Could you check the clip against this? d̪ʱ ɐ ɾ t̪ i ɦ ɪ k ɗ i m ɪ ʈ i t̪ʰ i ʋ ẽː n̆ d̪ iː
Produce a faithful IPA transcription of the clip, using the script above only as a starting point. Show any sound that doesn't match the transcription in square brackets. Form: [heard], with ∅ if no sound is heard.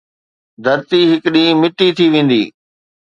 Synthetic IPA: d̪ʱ ɐ ɾ t̪ i ɦ ɪ k ɗ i m ɪ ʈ i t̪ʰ i ʋ ẽː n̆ d̪ iː

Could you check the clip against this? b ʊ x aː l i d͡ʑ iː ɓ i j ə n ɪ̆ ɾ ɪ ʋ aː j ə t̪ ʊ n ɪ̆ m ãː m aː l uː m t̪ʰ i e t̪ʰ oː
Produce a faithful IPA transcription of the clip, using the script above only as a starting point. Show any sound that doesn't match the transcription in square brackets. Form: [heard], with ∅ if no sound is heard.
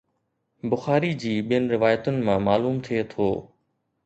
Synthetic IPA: b ʊ x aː [ɾ] i d͡ʑ iː ɓ i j ə n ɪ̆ ɾ ɪ ʋ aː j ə t̪ ʊ n ɪ̆ m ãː m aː l uː m t̪ʰ i e t̪ʰ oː

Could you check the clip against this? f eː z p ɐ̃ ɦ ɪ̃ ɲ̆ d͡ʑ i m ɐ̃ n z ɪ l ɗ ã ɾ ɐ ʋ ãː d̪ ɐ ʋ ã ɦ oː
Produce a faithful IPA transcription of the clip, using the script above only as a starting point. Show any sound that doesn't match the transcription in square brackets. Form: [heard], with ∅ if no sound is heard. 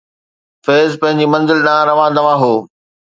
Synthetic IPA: f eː z p ɐ̃ ɦ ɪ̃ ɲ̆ d͡ʑ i m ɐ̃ n z ɪ l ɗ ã ɾ ɐ ʋ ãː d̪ ɐ ʋ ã ɦ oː

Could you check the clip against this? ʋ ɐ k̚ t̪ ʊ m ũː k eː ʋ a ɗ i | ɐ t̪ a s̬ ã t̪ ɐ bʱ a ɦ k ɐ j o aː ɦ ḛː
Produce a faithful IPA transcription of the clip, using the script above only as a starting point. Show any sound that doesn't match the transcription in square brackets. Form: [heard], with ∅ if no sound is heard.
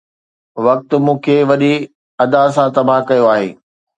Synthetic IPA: ʋ ɐ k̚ t̪ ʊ m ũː [kʰ] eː ʋ [ɐ] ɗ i | ɐ [d̪] a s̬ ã t̪ ɐ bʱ a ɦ k ɐ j o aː ɦ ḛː

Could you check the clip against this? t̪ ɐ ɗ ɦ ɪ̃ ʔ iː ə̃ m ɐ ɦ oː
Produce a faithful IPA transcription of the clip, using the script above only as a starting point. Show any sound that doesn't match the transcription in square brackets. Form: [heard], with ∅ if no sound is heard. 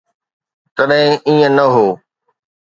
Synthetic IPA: t̪ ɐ ɗ ɦ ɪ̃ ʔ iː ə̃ [n] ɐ ɦ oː

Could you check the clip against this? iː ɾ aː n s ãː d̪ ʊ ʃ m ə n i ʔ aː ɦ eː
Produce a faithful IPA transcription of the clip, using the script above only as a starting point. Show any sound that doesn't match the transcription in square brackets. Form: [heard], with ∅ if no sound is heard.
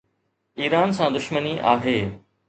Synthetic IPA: iː ɾ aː n s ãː d̪ ʊ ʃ m ə n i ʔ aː ɦ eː

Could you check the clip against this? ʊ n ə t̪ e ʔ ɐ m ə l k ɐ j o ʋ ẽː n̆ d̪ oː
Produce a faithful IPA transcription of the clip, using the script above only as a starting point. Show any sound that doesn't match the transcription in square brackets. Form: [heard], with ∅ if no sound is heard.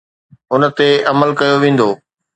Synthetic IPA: ʊ n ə t̪ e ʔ ɐ m ə l k ɐ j o ʋ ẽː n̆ d̪ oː

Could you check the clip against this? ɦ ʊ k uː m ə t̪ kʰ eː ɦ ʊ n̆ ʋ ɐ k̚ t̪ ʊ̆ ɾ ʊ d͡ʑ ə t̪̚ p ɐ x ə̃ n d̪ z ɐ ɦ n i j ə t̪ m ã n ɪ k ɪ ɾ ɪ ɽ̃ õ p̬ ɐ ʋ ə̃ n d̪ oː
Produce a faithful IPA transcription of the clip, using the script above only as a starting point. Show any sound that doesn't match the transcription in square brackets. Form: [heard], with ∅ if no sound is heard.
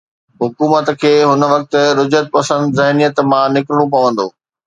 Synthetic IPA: ɦ ʊ k uː m ə t̪ kʰ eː ɦ ʊ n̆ ʋ ɐ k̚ t̪ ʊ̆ ɾ ʊ d͡ʑ ə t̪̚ p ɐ [s] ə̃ n d̪ z ɐ ɦ n i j ə t̪ m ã n ɪ k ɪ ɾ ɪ ɽ̃ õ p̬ ɐ ʋ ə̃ n d̪ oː

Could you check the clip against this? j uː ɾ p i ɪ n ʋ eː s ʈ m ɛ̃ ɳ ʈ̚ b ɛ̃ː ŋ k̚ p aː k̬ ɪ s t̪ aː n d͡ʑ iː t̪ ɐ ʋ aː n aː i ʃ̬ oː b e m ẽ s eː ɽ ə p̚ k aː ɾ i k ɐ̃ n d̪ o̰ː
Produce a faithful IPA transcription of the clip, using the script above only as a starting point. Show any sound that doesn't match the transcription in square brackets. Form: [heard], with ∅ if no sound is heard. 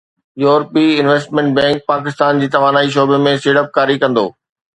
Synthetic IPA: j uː ɾ p i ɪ n ʋ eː s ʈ m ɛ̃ ɳ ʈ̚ b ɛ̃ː ŋ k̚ p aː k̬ ɪ s t̪ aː n d͡ʑ iː t̪ ɐ ʋ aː n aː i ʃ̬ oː b e m ẽ s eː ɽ ə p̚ k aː ɾ i k ɐ̃ n d̪ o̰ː

